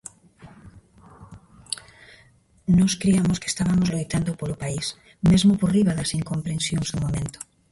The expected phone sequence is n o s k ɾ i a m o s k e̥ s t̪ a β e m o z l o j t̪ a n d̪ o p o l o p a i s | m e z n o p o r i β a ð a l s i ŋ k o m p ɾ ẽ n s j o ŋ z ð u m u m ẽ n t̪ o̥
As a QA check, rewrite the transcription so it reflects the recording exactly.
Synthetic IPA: n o s k ɾ i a m o s k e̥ s t̪ a β a m o z l o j t̪ a n d̪ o p o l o p a i s | m e z m o p o r i β a ð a s i ŋ k o m p ɾ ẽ n s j o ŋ z ð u m o m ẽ n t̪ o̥